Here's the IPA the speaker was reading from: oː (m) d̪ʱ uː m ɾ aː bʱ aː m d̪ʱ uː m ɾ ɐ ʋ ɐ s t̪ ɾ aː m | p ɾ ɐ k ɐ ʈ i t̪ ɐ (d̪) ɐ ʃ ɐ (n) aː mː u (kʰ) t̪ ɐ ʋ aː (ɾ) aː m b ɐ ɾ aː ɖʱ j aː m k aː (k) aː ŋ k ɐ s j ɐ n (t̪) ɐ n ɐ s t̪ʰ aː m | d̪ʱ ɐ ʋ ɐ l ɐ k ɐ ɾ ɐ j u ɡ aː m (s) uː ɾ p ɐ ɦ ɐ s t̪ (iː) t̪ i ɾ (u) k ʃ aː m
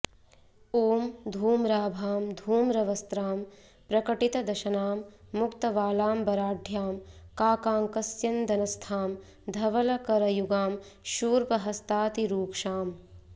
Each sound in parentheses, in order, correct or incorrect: correct, correct, correct, incorrect, incorrect, correct, incorrect, incorrect, incorrect, incorrect

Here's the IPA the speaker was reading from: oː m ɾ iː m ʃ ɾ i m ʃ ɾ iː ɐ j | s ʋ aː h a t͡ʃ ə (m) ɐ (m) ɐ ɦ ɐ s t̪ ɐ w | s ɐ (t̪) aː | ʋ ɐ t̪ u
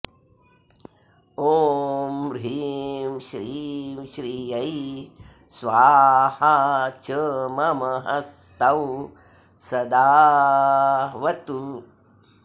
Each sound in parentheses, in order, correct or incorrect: correct, correct, incorrect

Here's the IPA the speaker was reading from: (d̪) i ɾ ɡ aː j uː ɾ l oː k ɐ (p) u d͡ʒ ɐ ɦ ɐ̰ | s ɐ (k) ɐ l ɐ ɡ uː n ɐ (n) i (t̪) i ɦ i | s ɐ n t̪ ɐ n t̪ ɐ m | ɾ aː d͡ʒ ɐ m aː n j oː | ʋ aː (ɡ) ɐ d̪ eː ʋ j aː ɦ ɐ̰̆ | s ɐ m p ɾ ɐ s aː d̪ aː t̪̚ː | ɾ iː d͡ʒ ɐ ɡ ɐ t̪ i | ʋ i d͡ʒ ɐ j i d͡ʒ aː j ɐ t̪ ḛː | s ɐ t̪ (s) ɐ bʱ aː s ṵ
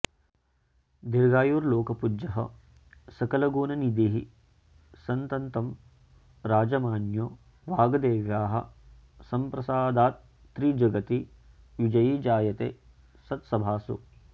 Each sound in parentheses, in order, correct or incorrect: correct, correct, correct, correct, incorrect, correct, correct

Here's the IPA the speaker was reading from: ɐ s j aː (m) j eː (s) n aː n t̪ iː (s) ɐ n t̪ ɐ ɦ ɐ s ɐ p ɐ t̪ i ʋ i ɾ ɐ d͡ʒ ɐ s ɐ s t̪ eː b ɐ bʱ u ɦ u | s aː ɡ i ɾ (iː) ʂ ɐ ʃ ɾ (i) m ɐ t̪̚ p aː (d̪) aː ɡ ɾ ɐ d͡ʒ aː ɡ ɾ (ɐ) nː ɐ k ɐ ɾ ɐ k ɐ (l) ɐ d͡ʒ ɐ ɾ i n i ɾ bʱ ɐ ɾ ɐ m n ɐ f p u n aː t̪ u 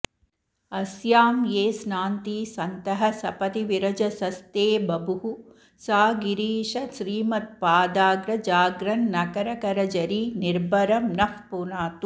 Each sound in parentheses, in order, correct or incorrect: correct, correct, correct, correct, incorrect, correct, correct, incorrect

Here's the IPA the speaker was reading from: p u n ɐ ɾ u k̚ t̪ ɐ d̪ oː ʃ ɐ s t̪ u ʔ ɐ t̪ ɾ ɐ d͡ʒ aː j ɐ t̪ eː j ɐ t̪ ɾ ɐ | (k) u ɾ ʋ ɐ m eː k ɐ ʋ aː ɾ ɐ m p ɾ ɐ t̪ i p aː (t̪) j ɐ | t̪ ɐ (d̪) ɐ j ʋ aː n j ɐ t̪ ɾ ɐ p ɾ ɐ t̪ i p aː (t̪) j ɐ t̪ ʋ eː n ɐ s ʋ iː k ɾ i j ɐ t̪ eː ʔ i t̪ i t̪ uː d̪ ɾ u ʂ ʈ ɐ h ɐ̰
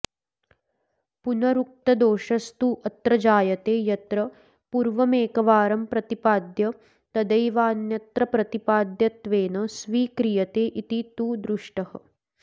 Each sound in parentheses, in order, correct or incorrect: incorrect, incorrect, correct, incorrect

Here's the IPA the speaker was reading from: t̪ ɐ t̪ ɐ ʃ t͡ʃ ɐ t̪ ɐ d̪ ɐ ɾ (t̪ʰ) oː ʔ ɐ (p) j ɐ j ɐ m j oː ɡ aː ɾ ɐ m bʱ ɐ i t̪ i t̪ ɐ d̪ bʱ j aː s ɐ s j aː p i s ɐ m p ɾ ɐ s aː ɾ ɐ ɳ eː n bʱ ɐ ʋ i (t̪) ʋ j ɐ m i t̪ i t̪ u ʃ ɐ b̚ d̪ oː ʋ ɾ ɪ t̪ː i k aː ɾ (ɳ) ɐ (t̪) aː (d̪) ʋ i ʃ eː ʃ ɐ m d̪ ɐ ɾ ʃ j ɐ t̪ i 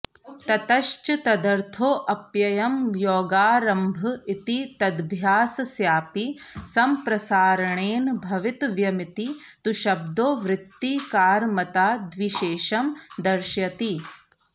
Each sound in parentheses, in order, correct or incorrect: correct, correct, correct, incorrect, correct, correct

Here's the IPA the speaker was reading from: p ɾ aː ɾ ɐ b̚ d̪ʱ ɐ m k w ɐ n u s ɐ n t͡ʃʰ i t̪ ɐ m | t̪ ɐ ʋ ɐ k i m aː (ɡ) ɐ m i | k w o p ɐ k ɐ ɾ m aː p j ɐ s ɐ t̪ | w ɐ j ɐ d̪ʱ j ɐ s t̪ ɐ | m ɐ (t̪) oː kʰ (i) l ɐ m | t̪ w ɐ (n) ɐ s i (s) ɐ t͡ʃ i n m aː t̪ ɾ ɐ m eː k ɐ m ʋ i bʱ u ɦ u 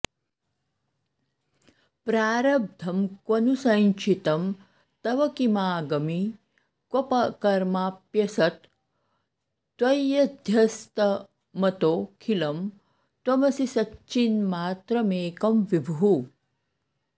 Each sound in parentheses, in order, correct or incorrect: correct, correct, correct, incorrect, correct

